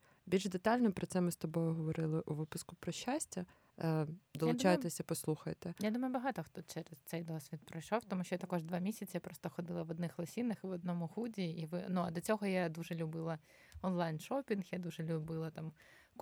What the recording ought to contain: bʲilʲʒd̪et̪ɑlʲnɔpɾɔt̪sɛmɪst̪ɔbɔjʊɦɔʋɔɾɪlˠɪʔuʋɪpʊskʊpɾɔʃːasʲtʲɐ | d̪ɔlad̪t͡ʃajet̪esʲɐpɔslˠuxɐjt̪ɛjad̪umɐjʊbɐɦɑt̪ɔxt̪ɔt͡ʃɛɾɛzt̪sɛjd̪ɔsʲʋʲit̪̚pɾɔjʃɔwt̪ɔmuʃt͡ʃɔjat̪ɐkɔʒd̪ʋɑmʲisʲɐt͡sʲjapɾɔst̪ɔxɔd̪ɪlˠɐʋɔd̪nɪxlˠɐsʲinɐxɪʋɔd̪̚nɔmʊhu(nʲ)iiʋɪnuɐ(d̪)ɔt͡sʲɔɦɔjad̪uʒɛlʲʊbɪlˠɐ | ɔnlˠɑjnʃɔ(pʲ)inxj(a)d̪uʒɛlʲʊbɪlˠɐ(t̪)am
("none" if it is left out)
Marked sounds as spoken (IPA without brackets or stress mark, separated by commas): dʲ, d̪, pʲ, a, t̪